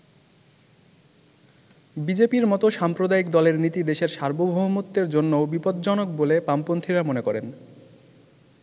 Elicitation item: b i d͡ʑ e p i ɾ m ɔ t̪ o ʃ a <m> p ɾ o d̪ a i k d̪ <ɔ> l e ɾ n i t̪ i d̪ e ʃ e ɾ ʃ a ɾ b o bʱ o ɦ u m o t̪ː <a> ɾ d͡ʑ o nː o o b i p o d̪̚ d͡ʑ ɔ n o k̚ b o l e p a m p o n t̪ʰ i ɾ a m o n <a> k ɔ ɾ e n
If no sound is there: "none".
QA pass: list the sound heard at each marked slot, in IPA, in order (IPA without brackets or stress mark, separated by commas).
m, ɔ, e, e